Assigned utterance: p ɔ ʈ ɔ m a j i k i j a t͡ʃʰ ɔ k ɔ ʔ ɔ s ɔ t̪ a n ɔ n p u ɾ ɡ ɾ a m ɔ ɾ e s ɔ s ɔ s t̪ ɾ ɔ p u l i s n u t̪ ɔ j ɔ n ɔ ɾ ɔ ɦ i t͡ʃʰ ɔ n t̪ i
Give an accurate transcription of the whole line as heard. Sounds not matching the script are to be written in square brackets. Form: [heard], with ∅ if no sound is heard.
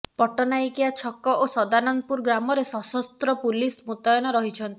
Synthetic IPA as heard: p ɔ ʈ ɔ [n] a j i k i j a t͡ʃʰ ɔ k ɔ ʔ [o] s ɔ [d̪] a n ɔ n p u ɾ ɡ ɾ a m ɔ ɾ e s ɔ s ɔ s t̪ ɾ ɔ p u l i s [m] u t̪ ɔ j ɔ n ɔ ɾ ɔ ɦ i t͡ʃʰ ɔ n t̪ i

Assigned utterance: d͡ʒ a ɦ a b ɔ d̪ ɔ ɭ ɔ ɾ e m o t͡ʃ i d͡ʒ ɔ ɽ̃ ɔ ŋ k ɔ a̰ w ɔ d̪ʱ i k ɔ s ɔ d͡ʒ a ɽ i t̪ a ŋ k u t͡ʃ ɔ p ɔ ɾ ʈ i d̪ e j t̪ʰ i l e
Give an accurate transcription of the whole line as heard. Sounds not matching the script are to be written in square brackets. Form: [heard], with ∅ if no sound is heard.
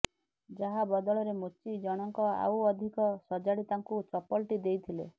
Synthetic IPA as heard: d͡ʒ a ɦ a b ɔ d̪ ɔ ɭ ɔ ɾ e m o t͡ʃ i d͡ʒ ɔ ɽ̃ ɔ ŋ k ɔ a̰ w ɔ d̪ʱ i k ɔ s ɔ d͡ʒ a ɽ i t̪ a ŋ k u t͡ʃ ɔ p ɔ [l] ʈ i d̪ e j t̪ʰ i l e

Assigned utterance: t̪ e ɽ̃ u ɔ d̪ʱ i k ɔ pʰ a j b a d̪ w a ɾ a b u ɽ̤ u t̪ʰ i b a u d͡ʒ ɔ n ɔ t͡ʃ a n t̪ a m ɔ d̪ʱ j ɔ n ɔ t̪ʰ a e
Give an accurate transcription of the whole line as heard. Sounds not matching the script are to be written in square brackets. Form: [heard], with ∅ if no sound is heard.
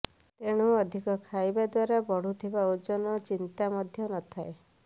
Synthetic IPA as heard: t̪ e ɽ̃ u ɔ d̪ʱ i k ɔ [kʰ] a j b a d̪ w a ɾ a b [ɔ] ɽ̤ u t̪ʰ i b a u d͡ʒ ɔ n ɔ t͡ʃ [i] n t̪ a m ɔ d̪ʱ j ɔ n ɔ t̪ʰ a e

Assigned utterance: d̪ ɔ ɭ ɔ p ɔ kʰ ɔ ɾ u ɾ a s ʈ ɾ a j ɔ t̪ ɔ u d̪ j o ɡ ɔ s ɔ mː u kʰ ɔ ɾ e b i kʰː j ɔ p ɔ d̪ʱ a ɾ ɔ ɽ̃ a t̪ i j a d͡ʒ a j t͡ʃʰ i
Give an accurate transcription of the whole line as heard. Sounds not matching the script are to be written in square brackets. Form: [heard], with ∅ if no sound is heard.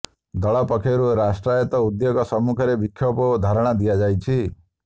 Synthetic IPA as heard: d̪ ɔ ɭ ɔ p ɔ kʰ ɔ ɾ u ɾ a s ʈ ɾ a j ɔ t̪ ɔ u d̪ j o ɡ ɔ s ɔ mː u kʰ ɔ ɾ e b i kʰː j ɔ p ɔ d̪ʱ a ɾ ɔ ɽ̃ a [d̪] i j a d͡ʒ a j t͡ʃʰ i

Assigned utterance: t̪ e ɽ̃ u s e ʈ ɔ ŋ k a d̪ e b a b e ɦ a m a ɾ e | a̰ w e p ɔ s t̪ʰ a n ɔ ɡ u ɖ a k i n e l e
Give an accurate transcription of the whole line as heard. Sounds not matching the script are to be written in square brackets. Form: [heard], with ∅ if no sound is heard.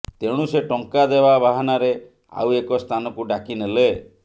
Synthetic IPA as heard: t̪ e ɽ̃ u s e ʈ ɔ ŋ k a d̪ e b a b [a] ɦ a [n] a ɾ e | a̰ w e [k] ɔ s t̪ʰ a n ɔ [k] u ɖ a k i n e l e

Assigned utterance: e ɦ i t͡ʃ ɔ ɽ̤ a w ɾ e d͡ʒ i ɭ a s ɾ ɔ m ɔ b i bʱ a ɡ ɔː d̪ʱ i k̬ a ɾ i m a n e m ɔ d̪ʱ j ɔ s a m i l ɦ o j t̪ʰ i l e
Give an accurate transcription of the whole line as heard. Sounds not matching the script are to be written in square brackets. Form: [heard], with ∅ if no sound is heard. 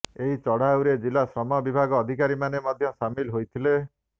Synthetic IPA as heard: e ɦ i t͡ʃ ɔ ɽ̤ a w ɾ e d͡ʒ i [l] a s ɾ ɔ m ɔ b i bʱ a ɡ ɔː d̪ʱ i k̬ a ɾ i m a n e m ɔ d̪ʱ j ɔ s a m i l ɦ o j t̪ʰ i l e

